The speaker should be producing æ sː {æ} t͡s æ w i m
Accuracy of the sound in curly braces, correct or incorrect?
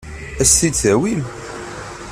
incorrect